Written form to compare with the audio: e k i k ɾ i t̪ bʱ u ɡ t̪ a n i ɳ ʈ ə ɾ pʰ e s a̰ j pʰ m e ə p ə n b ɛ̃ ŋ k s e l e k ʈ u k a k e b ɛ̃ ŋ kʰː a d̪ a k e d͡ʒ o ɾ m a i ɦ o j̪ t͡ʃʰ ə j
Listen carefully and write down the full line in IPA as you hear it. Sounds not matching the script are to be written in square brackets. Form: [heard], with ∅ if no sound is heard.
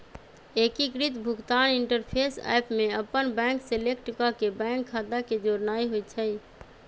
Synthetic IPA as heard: e k i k ɾ i t̪ bʱ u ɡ t̪ a n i ɳ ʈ ə ɾ pʰ e s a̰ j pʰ m e ə p ə n b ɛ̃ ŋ k s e l e k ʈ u k a k e b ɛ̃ ŋ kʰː a d̪ a k e d͡ʒ o ɾ [n] a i ɦ o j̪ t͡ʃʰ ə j